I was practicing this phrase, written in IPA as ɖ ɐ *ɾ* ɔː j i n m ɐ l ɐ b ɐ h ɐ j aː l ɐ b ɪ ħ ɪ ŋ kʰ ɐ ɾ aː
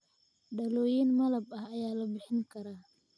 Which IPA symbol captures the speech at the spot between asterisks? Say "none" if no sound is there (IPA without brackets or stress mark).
l